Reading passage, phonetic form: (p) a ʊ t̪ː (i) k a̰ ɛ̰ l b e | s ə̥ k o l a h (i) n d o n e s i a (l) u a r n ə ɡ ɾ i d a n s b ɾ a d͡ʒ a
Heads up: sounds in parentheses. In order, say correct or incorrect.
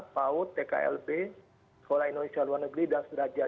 correct, incorrect: e, correct, correct

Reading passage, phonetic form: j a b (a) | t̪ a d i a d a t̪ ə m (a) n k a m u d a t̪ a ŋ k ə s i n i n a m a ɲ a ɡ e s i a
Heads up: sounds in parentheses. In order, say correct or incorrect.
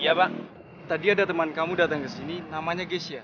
correct, correct

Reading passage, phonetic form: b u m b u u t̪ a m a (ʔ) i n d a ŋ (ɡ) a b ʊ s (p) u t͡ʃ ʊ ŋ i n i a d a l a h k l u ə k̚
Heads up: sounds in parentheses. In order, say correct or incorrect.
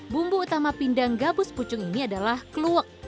incorrect: p, correct, correct

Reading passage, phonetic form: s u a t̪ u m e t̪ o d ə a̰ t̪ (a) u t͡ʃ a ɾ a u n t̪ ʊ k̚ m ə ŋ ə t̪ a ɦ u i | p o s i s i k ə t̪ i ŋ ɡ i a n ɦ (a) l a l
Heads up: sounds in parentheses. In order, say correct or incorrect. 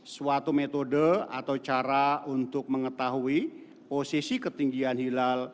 correct, incorrect: i

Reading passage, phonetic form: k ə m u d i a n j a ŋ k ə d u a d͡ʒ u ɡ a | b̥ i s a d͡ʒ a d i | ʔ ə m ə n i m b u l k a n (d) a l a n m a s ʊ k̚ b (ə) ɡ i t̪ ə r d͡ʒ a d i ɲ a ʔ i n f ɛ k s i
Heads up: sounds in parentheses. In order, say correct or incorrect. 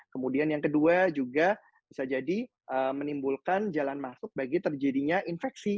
incorrect: d͡ʒ, incorrect: a

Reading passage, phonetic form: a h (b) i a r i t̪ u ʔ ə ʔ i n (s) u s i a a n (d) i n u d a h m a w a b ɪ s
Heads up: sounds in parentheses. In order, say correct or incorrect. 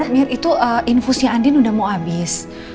incorrect: m, incorrect: f, correct

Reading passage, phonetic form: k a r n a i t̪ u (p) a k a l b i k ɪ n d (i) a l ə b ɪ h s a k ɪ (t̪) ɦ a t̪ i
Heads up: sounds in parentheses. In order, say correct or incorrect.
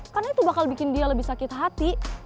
incorrect: b, correct, correct

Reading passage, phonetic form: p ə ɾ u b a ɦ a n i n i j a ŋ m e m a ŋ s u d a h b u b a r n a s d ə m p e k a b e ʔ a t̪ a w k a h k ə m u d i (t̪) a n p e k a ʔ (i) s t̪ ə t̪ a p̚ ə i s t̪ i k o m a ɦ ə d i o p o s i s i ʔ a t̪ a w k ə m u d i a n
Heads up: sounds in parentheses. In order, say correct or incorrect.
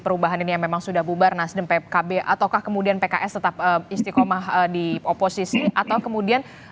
incorrect: none, incorrect: ɛ

